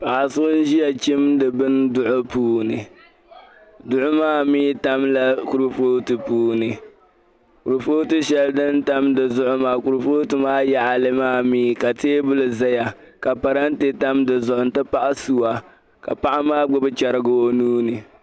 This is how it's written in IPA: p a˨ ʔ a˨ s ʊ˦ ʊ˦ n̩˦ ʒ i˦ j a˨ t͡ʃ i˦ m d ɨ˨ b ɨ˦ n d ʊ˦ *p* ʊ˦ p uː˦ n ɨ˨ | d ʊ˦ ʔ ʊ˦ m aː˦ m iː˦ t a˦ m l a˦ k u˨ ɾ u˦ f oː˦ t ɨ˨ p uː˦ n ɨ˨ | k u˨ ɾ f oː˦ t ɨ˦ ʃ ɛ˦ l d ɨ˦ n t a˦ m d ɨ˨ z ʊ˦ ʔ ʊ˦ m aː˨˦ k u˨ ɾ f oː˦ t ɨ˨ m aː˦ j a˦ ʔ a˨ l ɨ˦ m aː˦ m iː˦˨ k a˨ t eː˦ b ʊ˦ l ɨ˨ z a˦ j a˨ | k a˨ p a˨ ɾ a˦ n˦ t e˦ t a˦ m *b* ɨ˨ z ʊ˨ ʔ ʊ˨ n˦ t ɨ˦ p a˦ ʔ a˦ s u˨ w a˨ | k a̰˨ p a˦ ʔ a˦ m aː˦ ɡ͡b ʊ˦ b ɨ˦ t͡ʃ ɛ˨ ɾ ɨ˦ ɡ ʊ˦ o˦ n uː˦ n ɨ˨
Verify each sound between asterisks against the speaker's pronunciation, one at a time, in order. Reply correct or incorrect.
incorrect, incorrect

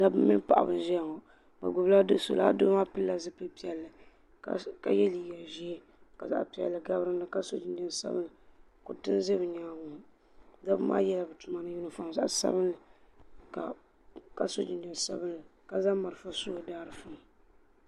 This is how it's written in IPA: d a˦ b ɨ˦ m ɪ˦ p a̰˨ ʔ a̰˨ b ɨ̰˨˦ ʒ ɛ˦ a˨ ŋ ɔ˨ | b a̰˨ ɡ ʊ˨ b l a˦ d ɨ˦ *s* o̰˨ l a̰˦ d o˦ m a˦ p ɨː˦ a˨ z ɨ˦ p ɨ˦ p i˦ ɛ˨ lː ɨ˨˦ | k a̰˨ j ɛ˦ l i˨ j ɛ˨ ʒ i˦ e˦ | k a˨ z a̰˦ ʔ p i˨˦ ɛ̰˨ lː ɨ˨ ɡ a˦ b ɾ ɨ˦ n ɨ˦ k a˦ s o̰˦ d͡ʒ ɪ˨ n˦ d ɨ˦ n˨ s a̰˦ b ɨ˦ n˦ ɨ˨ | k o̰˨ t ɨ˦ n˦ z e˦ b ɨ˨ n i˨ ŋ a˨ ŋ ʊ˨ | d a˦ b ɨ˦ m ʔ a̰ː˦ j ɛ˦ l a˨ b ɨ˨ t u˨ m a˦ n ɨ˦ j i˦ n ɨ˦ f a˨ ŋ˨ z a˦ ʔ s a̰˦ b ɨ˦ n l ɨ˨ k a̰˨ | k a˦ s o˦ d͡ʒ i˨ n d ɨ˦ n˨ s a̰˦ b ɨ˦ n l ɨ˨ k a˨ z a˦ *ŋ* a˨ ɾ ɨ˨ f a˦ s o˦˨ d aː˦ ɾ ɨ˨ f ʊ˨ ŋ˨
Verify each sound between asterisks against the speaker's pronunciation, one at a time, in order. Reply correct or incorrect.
correct, incorrect

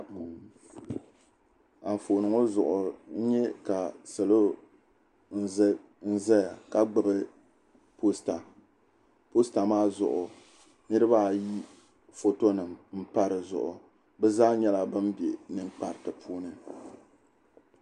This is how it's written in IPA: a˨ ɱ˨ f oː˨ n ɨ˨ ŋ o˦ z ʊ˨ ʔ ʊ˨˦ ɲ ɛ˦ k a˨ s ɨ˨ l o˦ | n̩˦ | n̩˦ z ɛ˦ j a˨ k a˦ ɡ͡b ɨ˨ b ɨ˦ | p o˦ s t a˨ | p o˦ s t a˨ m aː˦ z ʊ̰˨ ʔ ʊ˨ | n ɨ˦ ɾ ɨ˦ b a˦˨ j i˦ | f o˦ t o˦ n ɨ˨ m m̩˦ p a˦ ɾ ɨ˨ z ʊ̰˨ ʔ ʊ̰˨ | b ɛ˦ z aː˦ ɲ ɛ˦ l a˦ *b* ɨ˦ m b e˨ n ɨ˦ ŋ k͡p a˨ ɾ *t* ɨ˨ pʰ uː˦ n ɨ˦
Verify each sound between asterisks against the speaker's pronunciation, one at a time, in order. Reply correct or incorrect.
correct, correct

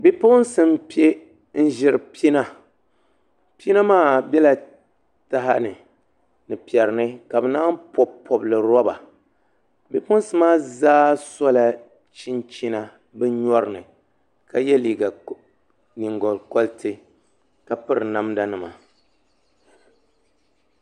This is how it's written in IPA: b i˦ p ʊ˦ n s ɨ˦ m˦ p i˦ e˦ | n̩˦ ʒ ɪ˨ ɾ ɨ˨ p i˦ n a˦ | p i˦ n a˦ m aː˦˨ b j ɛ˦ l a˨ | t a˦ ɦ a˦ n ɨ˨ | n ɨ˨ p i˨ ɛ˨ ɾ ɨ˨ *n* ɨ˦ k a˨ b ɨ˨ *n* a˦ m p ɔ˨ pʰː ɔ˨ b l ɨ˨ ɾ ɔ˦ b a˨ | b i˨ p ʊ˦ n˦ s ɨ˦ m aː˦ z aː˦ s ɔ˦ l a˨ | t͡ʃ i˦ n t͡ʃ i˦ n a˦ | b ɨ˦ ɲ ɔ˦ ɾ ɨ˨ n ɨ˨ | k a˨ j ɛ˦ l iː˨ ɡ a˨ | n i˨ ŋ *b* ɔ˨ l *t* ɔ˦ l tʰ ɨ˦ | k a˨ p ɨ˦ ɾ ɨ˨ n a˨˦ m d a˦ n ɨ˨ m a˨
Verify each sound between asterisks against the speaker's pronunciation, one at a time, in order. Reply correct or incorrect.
correct, correct, incorrect, incorrect

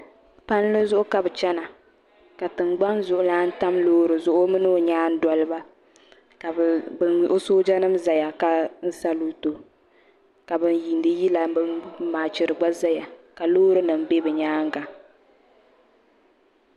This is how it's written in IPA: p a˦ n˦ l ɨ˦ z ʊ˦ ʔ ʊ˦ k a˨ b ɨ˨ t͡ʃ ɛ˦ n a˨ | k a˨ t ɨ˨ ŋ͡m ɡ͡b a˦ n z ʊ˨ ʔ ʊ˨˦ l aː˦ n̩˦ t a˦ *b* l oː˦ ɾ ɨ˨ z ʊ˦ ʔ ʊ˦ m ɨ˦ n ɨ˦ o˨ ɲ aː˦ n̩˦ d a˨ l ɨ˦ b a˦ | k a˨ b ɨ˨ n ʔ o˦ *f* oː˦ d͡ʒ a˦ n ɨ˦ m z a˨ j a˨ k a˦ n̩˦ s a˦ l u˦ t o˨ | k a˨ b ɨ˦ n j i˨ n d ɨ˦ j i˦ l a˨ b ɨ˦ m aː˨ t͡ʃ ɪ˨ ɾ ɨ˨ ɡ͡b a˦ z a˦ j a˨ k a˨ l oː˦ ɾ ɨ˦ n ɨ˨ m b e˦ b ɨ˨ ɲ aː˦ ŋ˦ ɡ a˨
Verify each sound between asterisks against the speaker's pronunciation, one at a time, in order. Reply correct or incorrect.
incorrect, incorrect

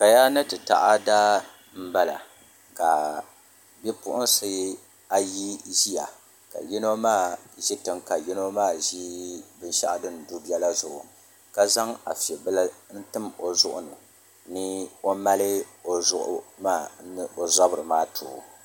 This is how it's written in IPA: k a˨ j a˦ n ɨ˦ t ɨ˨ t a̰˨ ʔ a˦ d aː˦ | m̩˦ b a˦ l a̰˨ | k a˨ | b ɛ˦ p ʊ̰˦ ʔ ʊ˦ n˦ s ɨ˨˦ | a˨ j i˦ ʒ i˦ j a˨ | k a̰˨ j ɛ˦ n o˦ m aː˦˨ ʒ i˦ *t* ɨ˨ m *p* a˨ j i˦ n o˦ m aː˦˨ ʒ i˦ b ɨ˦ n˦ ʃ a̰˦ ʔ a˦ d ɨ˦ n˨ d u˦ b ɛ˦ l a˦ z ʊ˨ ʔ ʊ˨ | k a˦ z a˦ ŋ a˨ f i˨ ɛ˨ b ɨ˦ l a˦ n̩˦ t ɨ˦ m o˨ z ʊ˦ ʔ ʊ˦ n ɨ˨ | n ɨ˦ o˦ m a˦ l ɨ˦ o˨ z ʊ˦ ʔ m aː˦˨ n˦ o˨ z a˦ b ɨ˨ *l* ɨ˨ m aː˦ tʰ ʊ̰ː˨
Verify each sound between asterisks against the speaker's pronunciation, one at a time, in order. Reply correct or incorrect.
correct, incorrect, incorrect

